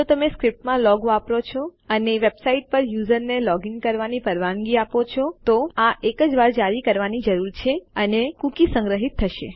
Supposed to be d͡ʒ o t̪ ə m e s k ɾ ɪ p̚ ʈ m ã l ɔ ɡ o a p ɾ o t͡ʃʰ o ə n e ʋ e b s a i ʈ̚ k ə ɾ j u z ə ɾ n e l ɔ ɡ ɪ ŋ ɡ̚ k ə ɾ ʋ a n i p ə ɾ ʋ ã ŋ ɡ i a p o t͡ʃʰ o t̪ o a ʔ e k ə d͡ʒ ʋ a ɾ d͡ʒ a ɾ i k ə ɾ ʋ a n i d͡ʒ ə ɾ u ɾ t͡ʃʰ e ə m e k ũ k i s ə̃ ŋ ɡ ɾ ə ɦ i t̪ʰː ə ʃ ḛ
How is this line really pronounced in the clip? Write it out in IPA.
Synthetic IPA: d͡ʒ o t̪ ə m e s k ɾ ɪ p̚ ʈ m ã l ɔ ɡ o a p ɾ o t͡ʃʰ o ə n e ʋ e b s a i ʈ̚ p ə ɾ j u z ə ɾ n e l ɔ ɡ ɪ ŋ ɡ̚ k ə ɾ ʋ a n i p ə ɾ ʋ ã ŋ ɡ i a p o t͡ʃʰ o t̪ o a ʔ e k ə d͡ʒ ʋ a ɾ d͡ʒ a ɾ i k ə ɾ ʋ a n i d͡ʒ ə ɾ u ɾ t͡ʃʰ e ə n e k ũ k i s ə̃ ŋ ɡ ɾ ə ɦ i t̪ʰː ə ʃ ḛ